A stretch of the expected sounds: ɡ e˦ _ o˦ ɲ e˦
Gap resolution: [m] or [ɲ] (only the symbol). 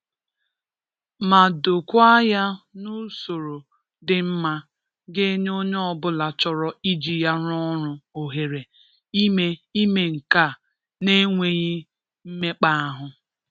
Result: ɲ